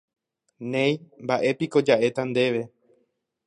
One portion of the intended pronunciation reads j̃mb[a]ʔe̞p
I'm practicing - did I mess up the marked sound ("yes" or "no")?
no